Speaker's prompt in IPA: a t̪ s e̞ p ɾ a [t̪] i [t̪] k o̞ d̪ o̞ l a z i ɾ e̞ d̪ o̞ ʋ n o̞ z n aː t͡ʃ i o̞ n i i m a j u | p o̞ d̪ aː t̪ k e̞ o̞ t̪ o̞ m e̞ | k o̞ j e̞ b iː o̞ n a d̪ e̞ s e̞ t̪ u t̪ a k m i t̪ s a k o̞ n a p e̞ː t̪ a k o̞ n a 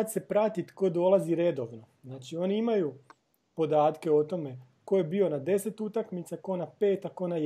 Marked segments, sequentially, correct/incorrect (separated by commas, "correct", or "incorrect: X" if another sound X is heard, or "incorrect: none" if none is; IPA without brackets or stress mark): correct, correct